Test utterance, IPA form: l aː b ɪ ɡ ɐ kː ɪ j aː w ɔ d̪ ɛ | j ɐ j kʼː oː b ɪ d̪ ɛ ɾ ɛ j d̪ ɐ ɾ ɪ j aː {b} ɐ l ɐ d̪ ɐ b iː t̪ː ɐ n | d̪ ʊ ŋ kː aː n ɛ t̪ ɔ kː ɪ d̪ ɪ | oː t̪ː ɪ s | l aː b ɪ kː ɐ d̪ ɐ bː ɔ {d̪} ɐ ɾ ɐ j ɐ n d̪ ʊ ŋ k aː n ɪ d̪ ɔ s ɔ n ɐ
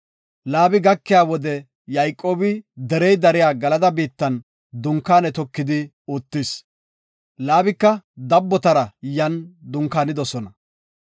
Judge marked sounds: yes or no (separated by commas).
no, no